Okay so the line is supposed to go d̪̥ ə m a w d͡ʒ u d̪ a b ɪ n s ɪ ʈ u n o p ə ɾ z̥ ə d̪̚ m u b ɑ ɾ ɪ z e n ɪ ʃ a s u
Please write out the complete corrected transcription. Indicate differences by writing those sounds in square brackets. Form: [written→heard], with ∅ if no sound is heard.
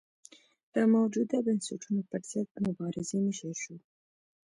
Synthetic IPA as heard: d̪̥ ə m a w d͡ʒ u d̪ a b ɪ n s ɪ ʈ u n o p ə ɾ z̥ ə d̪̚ m [u→ʊ] b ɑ ɾ ɪ z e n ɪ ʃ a [s→ʃ] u